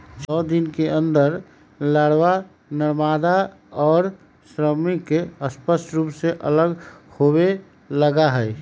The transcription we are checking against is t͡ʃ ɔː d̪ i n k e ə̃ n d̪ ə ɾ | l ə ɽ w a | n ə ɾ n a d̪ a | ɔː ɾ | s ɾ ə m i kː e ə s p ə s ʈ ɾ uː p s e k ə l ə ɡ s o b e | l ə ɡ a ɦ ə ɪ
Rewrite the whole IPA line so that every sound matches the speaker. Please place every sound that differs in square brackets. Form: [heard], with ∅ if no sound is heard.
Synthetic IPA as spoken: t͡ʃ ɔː d̪ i n k e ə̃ n d̪ ə ɾ | l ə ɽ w a | n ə ɾ [m] a d̪ a | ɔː ɾ | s ɾ ə m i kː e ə s p ə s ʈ ɾ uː p s e [ʔ] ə l ə ɡ [h] o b e | l ə ɡ a ɦ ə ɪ

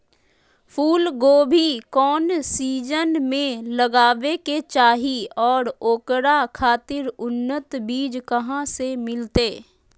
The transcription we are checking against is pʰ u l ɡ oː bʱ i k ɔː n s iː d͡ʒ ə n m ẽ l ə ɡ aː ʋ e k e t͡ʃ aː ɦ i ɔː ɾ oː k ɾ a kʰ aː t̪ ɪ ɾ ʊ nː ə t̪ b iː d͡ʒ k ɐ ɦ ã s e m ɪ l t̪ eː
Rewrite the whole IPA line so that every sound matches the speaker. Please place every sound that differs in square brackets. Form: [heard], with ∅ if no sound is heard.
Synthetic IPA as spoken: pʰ [uː] l ɡ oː bʱ i k ɔː n s iː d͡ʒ ə n m ẽ l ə ɡ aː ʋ e k e t͡ʃ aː ɦ i ɔː ɾ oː k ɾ a kʰ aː t̪ ɪ ɾ ʊ nː ə t̪ b iː d͡ʒ k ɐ ɦ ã s e m ɪ l t̪ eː

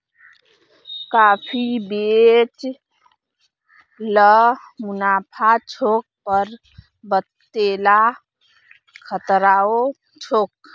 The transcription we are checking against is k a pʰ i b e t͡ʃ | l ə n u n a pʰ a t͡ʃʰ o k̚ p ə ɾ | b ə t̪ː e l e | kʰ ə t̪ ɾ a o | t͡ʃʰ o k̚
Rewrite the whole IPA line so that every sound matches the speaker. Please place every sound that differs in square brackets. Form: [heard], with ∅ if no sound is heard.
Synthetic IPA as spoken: k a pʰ i b e t͡ʃ | l ə [m] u n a pʰ a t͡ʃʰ o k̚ p ə ɾ | b ə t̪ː e l [a] | kʰ ə t̪ ɾ a o | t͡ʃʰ o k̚

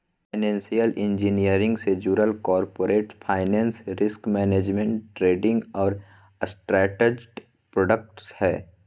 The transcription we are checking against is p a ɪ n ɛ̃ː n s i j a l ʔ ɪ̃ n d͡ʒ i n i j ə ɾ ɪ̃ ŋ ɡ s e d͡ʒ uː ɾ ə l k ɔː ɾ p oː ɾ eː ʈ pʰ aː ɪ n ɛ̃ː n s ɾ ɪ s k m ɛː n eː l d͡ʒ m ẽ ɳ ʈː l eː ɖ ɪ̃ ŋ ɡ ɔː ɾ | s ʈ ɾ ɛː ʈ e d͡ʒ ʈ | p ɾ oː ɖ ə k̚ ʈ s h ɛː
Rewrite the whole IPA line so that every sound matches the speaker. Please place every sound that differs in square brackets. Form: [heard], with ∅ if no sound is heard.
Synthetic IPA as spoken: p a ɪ n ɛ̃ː n s i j [ə] l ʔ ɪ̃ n d͡ʒ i n i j ə ɾ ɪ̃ ŋ ɡ s e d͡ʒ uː ɾ ə l k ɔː ɾ p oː ɾ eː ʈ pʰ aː ɪ n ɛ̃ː n s ɾ ɪ s k m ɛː n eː [∅] d͡ʒ m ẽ ɳ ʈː [ɾ] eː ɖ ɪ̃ ŋ ɡ ɔː ɾ | s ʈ ɾ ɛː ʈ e d͡ʒ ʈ | p ɾ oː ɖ ə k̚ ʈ s h ɛː

